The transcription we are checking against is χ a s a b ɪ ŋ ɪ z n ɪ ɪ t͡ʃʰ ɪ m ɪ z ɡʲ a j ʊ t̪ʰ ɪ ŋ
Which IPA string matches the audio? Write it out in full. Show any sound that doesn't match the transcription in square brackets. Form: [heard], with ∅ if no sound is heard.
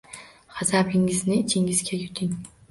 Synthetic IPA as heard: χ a [z] a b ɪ ŋ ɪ z n ɪ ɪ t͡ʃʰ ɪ [ŋ] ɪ z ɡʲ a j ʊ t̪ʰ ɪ ŋ